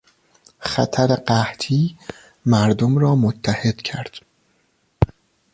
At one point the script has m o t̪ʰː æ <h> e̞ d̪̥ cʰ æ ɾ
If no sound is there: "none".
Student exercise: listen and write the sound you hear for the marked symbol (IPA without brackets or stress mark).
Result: h